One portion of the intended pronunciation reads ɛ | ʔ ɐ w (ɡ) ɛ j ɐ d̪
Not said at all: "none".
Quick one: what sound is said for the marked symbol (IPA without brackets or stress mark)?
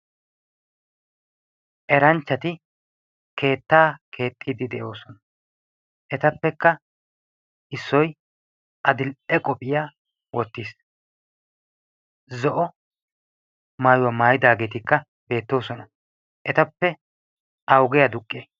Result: ɡ